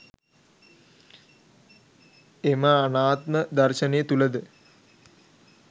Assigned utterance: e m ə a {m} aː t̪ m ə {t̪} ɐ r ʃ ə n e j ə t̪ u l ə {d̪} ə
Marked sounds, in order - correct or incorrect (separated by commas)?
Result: incorrect, incorrect, correct